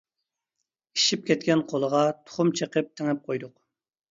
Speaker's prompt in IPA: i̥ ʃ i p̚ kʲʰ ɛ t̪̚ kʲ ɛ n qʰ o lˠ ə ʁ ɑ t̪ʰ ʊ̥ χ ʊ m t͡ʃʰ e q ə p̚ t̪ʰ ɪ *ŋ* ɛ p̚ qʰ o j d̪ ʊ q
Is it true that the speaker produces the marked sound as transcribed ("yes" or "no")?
yes